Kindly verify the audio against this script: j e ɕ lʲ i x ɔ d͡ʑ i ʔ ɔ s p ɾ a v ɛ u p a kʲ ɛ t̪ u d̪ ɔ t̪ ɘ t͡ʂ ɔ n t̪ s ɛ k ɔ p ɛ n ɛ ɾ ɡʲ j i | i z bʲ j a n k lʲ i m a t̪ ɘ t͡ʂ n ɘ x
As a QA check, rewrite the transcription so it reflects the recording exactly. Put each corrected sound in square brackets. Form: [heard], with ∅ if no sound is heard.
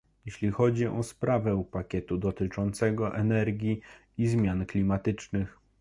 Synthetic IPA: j e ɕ lʲ i x ɔ d͡ʑ i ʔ ɔ s p ɾ a v ɛ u p a kʲ ɛ t̪ u d̪ ɔ t̪ ɘ t͡ʂ ɔ n t̪ s ɛ [ɡ] ɔ [ʔ] ɛ n ɛ ɾ ɡʲ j i | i z [mʲ] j a n k lʲ i m a t̪ ɘ t͡ʂ n ɘ x